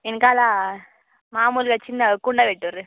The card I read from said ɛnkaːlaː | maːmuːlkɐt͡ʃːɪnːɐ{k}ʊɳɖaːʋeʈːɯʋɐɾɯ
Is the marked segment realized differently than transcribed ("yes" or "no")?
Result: no